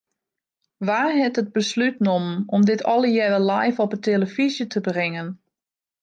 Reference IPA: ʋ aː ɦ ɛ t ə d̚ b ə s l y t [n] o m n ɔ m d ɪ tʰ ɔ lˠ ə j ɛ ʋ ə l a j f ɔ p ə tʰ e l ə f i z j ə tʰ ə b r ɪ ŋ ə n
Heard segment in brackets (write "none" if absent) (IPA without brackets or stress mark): n